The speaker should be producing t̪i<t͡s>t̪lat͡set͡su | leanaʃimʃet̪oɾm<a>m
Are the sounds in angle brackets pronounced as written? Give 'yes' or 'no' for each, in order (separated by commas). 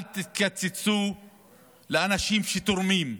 no, no